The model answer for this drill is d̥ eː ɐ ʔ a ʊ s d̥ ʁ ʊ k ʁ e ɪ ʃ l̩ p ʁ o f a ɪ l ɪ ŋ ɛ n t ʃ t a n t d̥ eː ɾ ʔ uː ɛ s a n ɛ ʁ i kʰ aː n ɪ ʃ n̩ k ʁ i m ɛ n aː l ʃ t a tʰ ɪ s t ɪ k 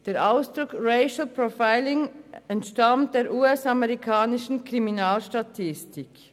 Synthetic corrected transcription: d̥ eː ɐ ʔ a ʊ s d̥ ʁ ʊ k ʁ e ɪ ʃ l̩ p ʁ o f a ɪ l ɪ ŋ ɛ n t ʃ t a m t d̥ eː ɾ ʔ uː ɛ s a m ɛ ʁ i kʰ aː n ɪ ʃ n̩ k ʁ i m i n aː l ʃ t a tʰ ɪ s t ɪ k